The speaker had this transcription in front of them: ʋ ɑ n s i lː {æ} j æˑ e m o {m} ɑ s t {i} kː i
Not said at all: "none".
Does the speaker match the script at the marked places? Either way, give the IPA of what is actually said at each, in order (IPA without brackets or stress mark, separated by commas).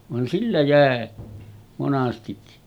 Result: æ, n, i